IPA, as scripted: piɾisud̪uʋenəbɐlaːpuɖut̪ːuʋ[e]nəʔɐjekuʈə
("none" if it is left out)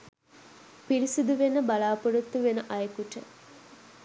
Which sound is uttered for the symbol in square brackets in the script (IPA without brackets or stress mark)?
e